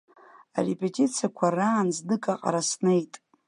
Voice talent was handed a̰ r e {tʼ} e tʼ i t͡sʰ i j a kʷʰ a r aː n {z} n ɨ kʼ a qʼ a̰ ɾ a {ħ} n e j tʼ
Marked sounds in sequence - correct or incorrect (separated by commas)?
incorrect, correct, incorrect